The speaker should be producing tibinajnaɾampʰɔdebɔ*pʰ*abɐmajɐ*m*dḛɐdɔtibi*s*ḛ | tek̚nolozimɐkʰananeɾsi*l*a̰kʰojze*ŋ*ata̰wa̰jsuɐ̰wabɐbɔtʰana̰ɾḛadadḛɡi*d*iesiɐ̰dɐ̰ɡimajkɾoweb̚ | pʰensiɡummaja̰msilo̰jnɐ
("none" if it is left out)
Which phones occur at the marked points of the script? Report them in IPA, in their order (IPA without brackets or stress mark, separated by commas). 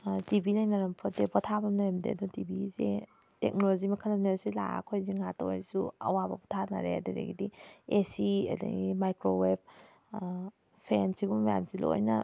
tʰ, m, z, l, ŋ, d